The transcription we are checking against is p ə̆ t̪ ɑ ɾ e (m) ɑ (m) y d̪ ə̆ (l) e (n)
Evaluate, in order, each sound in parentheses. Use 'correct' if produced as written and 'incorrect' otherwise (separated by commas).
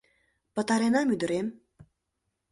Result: incorrect, correct, incorrect, incorrect